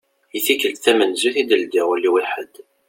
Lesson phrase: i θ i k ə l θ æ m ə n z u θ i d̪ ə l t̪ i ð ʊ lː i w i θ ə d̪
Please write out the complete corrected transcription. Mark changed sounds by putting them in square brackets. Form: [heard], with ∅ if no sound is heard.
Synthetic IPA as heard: i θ i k ə l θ æ m ə n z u θ i d̪ ə l [d̪] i [ʁ] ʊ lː i w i [ħ] ə d̪

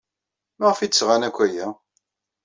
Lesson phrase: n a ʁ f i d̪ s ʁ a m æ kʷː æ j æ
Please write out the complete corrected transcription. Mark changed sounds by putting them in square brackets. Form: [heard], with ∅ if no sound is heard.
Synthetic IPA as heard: [m] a ʁ f i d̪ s ʁ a [n] æ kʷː æ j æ

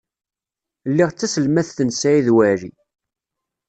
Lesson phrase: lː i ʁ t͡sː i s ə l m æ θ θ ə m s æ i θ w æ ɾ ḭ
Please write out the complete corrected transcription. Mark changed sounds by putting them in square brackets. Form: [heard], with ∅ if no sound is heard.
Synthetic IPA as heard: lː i ʁ t͡sː [æ] s ə l m æ θ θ ə [n] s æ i [ð] w æ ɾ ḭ

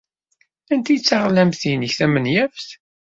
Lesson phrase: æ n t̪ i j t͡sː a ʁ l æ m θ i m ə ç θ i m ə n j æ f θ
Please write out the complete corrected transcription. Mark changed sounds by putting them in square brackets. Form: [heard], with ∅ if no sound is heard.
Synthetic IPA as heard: æ n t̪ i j t͡sː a ʁ l æ m θ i [n] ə ç θ [æ] m ə n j æ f θ

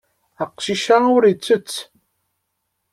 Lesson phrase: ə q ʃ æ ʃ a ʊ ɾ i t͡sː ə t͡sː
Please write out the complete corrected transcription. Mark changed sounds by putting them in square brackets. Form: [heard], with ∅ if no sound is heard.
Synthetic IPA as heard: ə q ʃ [i] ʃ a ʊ ɾ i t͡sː ə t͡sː

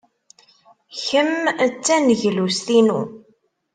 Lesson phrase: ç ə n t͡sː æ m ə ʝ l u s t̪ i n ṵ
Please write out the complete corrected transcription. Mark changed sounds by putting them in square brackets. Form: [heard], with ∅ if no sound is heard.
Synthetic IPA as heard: ç ə [m] t͡sː æ [n] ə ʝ l u s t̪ i n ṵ

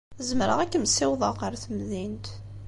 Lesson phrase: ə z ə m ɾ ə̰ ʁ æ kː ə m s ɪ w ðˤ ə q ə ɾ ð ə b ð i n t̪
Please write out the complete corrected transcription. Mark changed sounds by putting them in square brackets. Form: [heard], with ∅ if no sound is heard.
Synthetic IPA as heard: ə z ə m ɾ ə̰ ʁ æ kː ə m s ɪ w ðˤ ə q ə ɾ [θ] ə [m] ð i n t̪

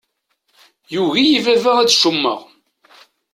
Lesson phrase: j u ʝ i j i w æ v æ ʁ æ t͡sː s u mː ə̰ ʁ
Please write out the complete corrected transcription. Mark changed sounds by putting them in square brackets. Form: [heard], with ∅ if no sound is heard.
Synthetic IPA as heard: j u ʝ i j i [v] æ v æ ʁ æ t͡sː [ʃ] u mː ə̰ ʁ

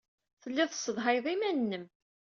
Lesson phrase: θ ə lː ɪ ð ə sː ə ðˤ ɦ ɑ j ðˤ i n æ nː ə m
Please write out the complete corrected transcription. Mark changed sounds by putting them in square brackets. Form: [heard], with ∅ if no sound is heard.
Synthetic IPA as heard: θ ə lː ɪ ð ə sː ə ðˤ ɦ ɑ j ðˤ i [m] æ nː ə m

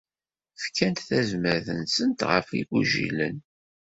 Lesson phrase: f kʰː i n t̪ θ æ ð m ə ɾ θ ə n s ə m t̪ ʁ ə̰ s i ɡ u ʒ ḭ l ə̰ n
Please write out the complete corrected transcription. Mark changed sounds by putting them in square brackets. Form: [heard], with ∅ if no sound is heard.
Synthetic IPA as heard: f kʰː [æ] n t̪ θ æ [z] m ə ɾ θ ə n s ə [n] t̪ ʁ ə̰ [f] i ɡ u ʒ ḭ l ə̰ n

